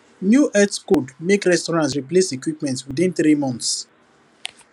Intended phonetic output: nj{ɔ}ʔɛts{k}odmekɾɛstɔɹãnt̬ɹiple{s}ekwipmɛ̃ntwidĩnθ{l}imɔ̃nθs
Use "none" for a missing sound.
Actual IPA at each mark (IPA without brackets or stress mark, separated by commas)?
u, k, s, ɾ